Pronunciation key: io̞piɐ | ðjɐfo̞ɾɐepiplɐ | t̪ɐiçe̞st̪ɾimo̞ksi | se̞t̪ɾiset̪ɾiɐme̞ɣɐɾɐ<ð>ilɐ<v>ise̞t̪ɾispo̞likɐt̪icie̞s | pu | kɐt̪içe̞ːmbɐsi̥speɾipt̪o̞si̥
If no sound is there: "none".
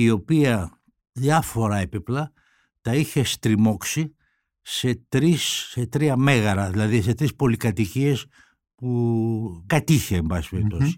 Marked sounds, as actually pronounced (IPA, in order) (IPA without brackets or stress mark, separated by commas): ð, ð